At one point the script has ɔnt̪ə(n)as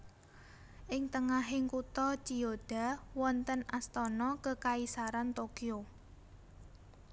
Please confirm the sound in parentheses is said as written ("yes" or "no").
yes